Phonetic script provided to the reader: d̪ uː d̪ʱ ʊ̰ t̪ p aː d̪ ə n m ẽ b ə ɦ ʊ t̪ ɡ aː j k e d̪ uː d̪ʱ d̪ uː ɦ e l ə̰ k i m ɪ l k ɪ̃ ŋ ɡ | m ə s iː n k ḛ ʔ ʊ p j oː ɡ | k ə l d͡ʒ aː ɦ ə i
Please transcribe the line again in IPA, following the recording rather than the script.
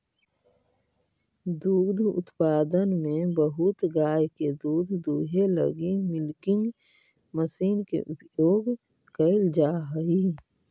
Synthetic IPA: d̪ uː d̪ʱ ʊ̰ t̪ p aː d̪ ə n m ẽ b ə ɦ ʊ t̪ ɡ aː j k e d̪ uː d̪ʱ d̪ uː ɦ e l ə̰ ɡ i m ɪ l k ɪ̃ ŋ ɡ | m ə s iː n k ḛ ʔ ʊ p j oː ɡ | k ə l d͡ʒ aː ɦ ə i